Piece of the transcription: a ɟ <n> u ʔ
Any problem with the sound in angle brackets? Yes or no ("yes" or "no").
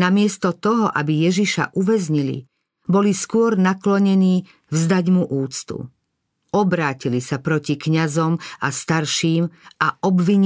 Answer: yes